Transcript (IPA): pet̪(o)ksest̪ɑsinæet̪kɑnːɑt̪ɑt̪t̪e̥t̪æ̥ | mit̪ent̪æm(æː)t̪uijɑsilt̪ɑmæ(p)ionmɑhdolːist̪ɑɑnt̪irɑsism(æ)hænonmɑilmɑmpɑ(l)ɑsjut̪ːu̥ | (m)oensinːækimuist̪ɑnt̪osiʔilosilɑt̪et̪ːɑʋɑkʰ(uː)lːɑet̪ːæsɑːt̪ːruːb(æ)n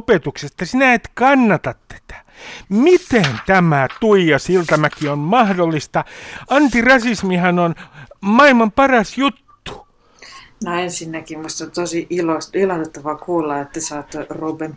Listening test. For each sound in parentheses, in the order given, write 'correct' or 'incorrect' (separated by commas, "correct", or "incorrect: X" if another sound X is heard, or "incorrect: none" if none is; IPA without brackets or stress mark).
incorrect: u, incorrect: æ, incorrect: k, incorrect: i, incorrect: r, incorrect: n, correct, incorrect: e